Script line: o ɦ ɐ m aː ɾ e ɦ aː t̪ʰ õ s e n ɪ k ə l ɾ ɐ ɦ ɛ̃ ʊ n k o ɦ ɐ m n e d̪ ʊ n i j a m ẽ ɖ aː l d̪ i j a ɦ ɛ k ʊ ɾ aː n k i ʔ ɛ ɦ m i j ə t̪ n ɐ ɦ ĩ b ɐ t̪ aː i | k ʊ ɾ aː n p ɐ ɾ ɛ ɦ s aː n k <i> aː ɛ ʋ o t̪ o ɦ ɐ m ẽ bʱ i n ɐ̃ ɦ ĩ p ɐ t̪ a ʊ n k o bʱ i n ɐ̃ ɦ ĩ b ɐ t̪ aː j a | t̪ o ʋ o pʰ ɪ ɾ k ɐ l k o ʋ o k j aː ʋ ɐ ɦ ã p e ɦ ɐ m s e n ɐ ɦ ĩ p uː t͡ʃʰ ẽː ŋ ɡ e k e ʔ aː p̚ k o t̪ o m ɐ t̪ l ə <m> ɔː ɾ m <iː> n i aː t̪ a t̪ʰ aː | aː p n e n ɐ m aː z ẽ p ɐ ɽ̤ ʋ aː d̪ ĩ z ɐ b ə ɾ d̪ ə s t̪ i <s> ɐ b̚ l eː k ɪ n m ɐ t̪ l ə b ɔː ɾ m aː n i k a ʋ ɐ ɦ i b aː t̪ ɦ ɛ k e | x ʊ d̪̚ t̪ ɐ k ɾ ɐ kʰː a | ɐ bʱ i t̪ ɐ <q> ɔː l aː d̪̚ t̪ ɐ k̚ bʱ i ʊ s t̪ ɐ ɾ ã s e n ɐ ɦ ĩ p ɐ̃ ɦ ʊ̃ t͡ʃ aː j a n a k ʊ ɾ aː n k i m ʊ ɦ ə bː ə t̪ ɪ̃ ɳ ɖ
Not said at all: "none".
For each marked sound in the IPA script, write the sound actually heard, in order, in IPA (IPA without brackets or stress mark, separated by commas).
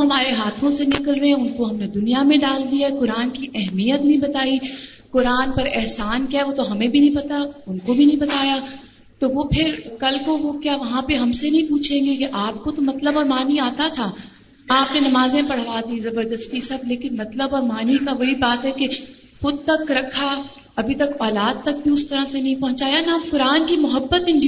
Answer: j, b, aː, s, k